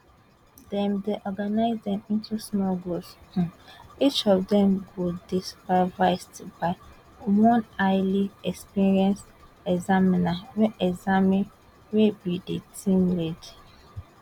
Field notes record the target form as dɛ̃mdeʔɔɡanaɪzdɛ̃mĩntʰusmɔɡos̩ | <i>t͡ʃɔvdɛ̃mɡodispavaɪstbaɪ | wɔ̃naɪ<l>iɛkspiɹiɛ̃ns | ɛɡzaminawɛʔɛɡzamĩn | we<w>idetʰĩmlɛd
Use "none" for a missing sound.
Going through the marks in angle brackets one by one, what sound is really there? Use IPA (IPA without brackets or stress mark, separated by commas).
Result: i, l, b